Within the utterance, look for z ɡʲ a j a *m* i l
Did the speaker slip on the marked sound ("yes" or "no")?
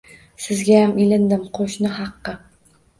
no